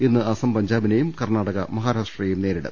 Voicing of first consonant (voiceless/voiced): voiced